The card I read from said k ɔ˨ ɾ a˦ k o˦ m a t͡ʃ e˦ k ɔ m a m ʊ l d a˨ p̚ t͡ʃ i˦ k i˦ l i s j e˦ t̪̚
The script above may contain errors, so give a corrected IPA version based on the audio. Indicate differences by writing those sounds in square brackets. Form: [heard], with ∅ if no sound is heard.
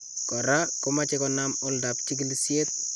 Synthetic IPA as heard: k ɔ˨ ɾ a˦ k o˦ m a t͡ʃ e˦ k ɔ [n] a m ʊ l d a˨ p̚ t͡ʃ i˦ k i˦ l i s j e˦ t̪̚